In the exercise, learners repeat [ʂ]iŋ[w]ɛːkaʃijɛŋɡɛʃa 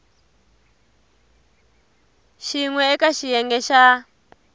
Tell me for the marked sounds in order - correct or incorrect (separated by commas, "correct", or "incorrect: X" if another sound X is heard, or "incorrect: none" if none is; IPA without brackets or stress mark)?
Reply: incorrect: ʃ, correct